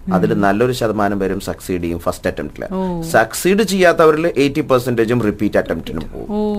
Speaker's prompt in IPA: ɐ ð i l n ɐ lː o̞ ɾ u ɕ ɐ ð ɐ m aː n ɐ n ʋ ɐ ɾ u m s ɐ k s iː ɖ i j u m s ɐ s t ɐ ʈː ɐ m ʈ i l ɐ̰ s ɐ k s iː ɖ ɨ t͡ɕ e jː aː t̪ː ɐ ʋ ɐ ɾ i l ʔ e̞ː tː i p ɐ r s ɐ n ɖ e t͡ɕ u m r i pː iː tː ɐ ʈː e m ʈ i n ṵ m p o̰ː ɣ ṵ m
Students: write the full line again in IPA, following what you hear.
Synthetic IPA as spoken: ɐ ð i l n ɐ lː o̞ ɾ u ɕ ɐ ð ɐ m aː n ɐ m ʋ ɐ ɾ u m s ɐ k s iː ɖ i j u m f ɐ s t ɐ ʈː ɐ m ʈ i l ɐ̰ s ɐ k s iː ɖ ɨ t͡ɕ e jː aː t̪ː ɐ ʋ ɐ ɾ i l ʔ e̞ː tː i p ɐ r s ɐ n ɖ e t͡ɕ u m r i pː iː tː ɐ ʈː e m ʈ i n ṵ m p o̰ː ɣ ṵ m